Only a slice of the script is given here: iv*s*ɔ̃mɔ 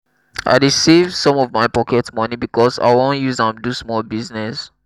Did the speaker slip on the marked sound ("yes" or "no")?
no